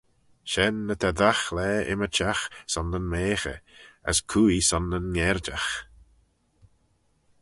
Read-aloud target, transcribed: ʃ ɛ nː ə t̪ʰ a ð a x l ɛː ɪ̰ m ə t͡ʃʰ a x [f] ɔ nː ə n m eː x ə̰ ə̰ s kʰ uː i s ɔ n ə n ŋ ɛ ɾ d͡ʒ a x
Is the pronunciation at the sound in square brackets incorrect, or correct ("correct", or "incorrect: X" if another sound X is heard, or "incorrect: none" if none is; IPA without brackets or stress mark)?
incorrect: s